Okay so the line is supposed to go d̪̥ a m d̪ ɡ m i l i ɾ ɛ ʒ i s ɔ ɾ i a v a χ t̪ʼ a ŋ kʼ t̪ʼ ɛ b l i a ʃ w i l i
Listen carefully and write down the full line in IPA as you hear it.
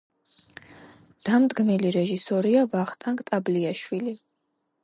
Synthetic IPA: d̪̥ a m d̪ ɡ m i l i ɾ ɛ ʒ i s ɔ ɾ i a v a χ t̪ʼ a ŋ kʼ t̪ʼ a b l i a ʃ w i l i